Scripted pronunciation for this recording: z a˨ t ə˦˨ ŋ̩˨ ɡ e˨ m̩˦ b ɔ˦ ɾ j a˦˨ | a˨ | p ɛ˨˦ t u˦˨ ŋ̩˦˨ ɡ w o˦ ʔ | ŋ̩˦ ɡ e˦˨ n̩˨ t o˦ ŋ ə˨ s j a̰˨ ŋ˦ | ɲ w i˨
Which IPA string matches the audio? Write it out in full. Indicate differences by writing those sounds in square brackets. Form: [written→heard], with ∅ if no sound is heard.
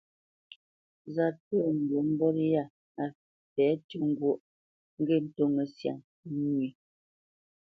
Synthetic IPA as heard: z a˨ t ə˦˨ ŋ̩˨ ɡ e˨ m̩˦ b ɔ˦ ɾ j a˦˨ | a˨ | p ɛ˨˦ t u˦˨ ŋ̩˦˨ ɡ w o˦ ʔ | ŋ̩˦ ɡ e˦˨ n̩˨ t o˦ ŋ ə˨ s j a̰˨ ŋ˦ | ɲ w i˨